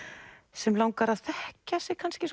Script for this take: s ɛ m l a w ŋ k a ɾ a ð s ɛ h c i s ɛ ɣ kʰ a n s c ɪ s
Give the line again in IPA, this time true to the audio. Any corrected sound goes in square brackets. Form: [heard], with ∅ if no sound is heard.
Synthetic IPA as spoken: s ɛ m l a w ŋ k a ɾ a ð [θ] ɛ h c [a] s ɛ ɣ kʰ a n s c ɪ s